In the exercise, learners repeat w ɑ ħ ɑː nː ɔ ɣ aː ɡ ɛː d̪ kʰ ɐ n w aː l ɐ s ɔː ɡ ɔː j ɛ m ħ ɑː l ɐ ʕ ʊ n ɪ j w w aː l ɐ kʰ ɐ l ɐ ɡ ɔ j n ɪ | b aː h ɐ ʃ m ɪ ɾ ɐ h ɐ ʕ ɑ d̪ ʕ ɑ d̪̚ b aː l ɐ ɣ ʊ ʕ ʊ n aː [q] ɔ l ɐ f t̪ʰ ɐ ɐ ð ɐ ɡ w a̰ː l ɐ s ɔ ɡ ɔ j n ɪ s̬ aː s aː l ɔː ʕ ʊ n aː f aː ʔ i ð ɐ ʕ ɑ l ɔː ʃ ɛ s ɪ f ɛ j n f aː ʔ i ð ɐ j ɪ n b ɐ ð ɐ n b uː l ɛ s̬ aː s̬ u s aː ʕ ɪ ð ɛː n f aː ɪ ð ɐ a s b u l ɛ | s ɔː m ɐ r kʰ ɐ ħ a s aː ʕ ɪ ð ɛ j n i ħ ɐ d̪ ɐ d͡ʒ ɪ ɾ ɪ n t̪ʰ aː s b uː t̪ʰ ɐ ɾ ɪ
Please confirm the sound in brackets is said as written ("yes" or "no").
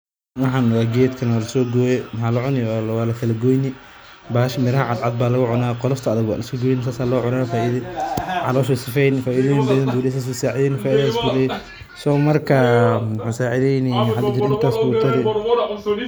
yes